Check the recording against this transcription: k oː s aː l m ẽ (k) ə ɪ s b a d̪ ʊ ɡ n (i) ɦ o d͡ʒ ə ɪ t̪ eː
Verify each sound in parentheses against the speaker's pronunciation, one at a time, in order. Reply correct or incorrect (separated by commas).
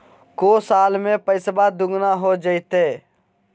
incorrect, incorrect